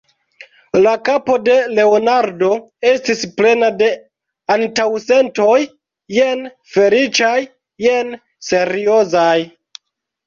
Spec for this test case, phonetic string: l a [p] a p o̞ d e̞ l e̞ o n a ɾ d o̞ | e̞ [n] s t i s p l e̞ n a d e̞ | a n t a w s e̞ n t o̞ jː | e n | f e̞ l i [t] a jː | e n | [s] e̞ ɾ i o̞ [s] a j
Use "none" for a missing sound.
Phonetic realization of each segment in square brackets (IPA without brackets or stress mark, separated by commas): k, none, t͡ʃ, s, z